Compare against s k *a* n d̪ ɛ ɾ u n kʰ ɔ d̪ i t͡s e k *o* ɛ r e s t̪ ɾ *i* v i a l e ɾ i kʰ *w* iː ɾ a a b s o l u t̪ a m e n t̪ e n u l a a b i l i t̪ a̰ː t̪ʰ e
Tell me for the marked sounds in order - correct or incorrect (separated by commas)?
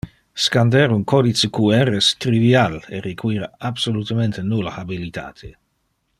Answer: correct, incorrect, correct, correct